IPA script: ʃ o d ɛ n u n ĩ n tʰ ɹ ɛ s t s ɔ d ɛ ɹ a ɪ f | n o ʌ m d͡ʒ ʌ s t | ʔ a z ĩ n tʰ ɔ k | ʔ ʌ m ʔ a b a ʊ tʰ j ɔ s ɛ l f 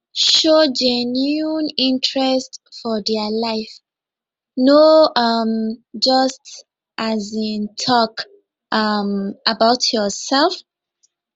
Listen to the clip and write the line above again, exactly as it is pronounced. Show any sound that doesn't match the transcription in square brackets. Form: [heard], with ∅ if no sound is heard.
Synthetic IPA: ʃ o [d͡ʒ] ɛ n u n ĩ n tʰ ɹ ɛ s t [f] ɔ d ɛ [l] a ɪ f | n o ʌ m d͡ʒ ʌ s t | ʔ a z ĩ n tʰ ɔ k | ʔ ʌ m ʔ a b a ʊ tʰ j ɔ s ɛ l f